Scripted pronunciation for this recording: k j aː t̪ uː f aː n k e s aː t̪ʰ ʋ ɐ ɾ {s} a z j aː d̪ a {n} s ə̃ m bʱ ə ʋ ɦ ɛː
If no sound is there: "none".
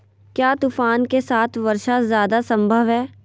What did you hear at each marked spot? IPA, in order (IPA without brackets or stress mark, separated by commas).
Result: ʃ, none